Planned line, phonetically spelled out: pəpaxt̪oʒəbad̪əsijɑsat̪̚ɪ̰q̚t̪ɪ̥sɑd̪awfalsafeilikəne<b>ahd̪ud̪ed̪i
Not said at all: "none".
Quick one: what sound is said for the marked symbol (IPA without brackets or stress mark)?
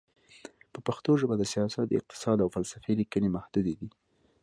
m